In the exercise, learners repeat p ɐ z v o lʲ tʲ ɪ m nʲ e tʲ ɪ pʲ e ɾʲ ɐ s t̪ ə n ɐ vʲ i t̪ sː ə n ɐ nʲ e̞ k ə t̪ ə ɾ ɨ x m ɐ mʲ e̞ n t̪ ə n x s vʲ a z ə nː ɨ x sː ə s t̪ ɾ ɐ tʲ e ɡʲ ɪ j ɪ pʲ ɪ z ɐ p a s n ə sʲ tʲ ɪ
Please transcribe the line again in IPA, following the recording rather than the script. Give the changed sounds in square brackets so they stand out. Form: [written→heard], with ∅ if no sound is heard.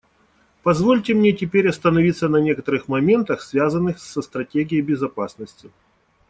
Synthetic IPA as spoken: p ɐ z v o lʲ tʲ ɪ m nʲ e tʲ ɪ pʲ e ɾʲ ɐ s t̪ ə n ɐ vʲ i t̪ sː ə n ɐ nʲ e̞ k ə t̪ ə ɾ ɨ x m ɐ mʲ e̞ n t̪ ə [n→∅] x s vʲ a z ə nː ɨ x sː ə s t̪ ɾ ɐ tʲ e ɡʲ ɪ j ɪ [pʲ→bʲ] ɪ z ɐ p a s n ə sʲ tʲ ɪ

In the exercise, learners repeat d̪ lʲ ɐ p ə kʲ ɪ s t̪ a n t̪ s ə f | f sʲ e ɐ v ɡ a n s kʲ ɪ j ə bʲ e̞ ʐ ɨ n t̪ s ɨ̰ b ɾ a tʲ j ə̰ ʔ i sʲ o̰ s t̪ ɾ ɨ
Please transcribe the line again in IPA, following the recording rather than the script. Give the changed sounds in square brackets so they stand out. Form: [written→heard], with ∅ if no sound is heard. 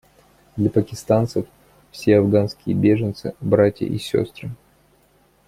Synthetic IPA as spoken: d̪ lʲ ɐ p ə kʲ ɪ s t̪ a n t̪ s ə f | f sʲ e ɐ v ɡ a n s kʲ ɪ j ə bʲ e̞ ʐ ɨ n t̪ s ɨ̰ b ɾ a tʲ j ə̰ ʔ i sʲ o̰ s t̪ ɾ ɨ

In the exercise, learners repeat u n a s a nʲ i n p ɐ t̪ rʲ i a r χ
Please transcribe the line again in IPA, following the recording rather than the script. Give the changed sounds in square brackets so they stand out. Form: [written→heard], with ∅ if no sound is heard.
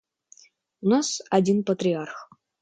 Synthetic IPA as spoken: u n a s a [nʲ→dʲ] i n p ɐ t̪ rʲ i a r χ

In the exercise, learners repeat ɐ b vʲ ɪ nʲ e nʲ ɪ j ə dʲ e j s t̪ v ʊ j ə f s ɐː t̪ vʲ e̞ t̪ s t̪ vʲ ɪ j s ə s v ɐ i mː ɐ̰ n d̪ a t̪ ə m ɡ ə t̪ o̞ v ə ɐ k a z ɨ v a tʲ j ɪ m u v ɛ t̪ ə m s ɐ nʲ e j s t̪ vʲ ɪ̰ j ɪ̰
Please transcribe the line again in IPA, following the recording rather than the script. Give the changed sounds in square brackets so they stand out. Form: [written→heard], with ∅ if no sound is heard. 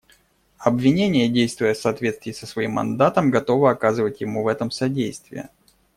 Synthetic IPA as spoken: ɐ b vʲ ɪ nʲ e nʲ ɪ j ə dʲ e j s t̪ v ʊ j ə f s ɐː t̪ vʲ e̞ t̪ s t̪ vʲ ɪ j s ə s v ɐ i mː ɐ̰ n d̪ a t̪ ə m ɡ [ə→ɐ] t̪ o̞ v ə ɐ k a z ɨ v [a→ə] tʲ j ɪ m u v ɛ t̪ ə m s ɐ [nʲ→dʲ] e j s t̪ vʲ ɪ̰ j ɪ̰

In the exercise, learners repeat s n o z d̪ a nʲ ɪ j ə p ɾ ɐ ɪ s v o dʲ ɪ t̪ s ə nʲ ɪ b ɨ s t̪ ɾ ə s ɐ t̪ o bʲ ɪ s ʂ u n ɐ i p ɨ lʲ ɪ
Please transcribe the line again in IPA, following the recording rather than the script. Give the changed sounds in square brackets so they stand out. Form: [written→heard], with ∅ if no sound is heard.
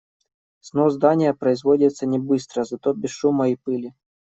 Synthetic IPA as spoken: s n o z d̪ a nʲ ɪ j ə p ɾ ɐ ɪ [s→z] v o dʲ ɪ t̪ s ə nʲ ɪ b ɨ s t̪ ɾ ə [s→z] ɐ t̪ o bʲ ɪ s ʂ u [n→m] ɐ i p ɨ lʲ ɪ

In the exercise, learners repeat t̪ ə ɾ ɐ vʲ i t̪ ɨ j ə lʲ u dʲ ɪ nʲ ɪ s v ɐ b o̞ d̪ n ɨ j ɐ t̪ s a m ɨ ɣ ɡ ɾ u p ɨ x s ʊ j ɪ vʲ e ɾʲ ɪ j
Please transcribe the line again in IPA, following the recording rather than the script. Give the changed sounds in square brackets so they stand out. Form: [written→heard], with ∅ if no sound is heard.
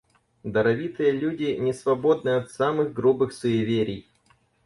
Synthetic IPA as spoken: [t̪→d̪] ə ɾ ɐ vʲ i t̪ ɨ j ə lʲ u dʲ ɪ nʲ ɪ s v ɐ b o̞ d̪ n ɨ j ɐ t̪ s a m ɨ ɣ ɡ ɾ u [p→b] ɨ x s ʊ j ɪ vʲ e ɾʲ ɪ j

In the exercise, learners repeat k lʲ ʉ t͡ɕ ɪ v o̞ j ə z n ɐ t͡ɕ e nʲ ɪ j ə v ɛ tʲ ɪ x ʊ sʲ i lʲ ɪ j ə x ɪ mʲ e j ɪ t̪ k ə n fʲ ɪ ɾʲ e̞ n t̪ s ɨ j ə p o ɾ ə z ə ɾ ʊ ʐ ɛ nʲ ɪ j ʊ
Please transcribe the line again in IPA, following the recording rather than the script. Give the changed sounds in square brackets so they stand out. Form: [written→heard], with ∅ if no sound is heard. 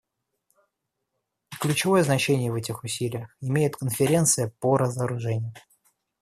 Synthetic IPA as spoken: k lʲ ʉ t͡ɕ ɪ v o̞ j ə z n ɐ t͡ɕ e nʲ ɪ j ə v ɛ tʲ ɪ x ʊ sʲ i lʲ ɪ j ə x ɪ mʲ e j ɪ t̪ k ə n fʲ ɪ ɾʲ e̞ n t̪ s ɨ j ə p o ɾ ə z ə ɾ ʊ ʐ ɛ nʲ ɪ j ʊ

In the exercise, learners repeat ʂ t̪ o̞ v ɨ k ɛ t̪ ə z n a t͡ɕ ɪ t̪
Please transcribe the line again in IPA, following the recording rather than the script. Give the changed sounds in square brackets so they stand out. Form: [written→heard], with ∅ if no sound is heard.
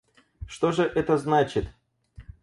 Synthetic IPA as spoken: ʂ t̪ o̞ [v→ʐ] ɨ [k→ʔ] ɛ t̪ ə z n a t͡ɕ ɪ t̪

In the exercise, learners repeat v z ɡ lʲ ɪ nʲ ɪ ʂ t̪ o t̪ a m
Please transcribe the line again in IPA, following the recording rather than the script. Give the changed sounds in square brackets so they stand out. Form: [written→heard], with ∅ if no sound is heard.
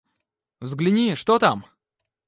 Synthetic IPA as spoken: v z ɡ lʲ ɪ nʲ [ɪ→i] ʂ t̪ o t̪ a m

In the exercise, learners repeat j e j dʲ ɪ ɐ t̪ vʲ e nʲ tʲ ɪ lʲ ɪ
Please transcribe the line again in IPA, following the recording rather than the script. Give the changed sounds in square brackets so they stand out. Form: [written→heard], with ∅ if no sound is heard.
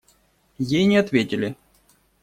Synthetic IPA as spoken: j e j [dʲ→nʲ] ɪ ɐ t̪ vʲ e [nʲ→∅] tʲ ɪ lʲ ɪ

